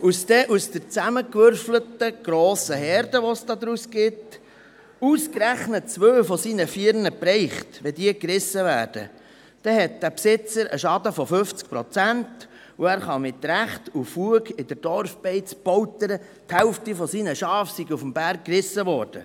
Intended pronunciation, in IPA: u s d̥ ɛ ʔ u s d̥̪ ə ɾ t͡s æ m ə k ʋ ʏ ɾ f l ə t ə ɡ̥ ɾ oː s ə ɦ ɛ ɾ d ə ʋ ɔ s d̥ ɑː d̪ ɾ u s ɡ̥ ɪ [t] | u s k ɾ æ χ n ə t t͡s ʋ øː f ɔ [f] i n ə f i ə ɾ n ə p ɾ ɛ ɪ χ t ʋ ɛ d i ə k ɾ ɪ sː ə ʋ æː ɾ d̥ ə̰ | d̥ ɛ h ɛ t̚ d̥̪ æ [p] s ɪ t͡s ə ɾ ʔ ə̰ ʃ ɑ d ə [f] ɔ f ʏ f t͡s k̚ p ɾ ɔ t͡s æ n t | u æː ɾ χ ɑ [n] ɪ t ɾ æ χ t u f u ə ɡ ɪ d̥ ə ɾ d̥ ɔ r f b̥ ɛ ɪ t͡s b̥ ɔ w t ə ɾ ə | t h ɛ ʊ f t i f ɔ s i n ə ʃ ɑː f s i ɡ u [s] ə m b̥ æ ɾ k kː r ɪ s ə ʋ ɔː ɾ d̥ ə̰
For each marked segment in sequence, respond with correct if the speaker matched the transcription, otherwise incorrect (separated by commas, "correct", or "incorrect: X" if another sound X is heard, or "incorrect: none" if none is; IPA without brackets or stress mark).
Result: correct, incorrect: s, correct, correct, incorrect: m, incorrect: f